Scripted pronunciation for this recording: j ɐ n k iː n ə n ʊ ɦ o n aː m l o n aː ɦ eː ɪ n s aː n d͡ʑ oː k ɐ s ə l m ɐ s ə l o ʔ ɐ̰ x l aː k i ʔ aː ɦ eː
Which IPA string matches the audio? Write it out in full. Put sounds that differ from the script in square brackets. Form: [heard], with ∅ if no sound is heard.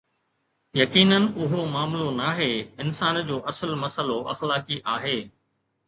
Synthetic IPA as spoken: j ɐ [∅] k iː n ə n ʊ ɦ o [m] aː m l o n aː ɦ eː ɪ n s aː n d͡ʑ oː [ʔ] ɐ s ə l m ɐ s ə l o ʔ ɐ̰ x l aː k i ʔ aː ɦ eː